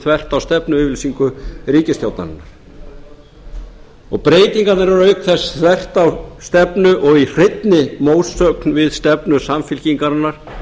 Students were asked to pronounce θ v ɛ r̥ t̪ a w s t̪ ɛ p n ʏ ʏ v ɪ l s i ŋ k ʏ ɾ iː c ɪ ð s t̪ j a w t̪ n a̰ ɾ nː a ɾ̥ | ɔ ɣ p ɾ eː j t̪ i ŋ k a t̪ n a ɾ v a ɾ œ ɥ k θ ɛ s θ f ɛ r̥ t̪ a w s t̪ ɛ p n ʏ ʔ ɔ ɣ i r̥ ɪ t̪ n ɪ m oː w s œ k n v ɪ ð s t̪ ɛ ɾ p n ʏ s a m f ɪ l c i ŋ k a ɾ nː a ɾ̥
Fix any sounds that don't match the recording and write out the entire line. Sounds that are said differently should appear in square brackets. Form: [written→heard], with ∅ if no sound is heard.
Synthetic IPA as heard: θ v ɛ r̥ t̪ a w s t̪ ɛ p n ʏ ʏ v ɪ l s i ŋ k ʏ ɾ iː c ɪ [ð→∅] s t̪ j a w t̪ n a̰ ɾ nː a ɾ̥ | ɔ ɣ p ɾ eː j t̪ i ŋ k a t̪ n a ɾ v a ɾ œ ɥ k θ ɛ s θ [f→v] ɛ r̥ t̪ a w s t̪ ɛ p n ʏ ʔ ɔ ɣ i r̥ ɪ t̪ n ɪ m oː w s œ k n v ɪ ð s t̪ ɛ [ɾ→∅] p n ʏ s a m f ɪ l c i ŋ k a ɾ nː a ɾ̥